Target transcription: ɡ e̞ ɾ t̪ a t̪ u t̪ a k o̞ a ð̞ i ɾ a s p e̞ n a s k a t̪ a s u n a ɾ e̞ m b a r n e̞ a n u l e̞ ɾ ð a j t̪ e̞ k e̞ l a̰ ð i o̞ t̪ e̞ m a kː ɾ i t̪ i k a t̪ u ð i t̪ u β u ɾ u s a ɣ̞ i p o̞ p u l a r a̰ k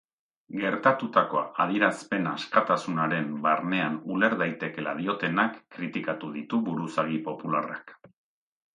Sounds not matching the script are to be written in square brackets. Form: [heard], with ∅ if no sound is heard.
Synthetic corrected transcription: ɡ e̞ ɾ t̪ a t̪ u t̪ a k o̞ a ð̞ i ɾ a s p e̞ n a s k a t̪ a s u n a ɾ e̞ m b a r n e̞ a n u l e̞ ɾ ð a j t̪ e̞ k e̞ l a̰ ð i o̞ t̪ e̞ [n] a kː ɾ i t̪ i k a t̪ u ð i t̪ u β u ɾ u s a ɣ̞ i p o̞ p u l a r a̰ k